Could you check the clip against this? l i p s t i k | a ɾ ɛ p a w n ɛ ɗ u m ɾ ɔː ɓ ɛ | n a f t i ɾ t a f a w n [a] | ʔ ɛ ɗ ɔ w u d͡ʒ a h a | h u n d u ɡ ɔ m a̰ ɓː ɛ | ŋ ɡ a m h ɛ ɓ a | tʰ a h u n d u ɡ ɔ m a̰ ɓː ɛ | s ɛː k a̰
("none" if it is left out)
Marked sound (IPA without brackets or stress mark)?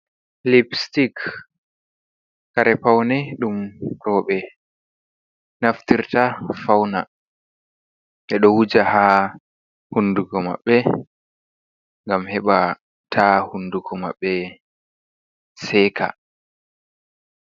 a